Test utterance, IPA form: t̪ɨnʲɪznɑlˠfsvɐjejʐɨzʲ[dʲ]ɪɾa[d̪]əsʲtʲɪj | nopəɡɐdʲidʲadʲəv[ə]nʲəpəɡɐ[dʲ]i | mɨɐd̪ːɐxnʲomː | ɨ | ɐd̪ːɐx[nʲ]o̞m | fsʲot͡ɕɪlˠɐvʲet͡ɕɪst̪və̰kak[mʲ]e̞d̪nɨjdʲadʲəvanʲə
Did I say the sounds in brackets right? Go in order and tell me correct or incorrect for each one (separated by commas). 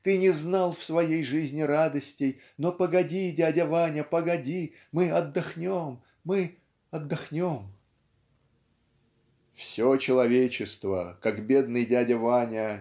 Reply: incorrect, correct, incorrect, correct, correct, incorrect